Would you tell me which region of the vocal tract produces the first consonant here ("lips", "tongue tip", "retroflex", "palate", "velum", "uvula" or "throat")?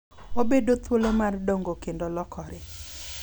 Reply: lips